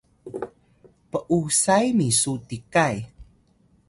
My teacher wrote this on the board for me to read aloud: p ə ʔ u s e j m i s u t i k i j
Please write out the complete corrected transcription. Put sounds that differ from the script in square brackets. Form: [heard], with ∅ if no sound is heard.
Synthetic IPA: p ə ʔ u s [a] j m i s u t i k [a] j